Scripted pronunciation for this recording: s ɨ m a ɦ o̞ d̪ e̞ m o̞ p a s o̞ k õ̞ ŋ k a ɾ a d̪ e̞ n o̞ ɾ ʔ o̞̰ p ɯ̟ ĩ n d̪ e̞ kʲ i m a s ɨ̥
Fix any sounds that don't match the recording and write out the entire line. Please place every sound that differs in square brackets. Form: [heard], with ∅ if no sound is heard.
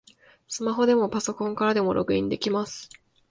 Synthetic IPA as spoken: s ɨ m a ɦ o̞ d̪ e̞ m o̞ p a s o̞ k õ̞ ŋ k a ɾ a d̪ e̞ [m] o̞ ɾ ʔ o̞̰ [k] ɯ̟ ĩ n d̪ e̞ kʲ i m a s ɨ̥